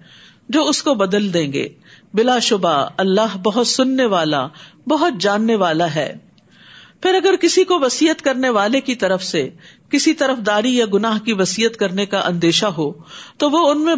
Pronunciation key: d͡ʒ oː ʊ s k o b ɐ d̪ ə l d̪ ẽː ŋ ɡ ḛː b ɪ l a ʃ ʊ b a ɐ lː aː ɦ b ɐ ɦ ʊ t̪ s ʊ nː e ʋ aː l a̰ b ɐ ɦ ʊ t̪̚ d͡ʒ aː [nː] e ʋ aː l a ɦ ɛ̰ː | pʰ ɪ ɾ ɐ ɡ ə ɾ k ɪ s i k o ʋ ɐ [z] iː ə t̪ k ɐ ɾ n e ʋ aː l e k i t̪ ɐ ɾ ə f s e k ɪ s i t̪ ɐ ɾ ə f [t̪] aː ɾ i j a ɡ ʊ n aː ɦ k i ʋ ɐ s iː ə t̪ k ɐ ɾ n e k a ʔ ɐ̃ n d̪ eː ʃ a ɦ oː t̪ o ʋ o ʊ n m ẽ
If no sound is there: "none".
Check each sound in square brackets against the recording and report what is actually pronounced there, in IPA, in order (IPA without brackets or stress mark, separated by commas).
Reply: nː, s, d̪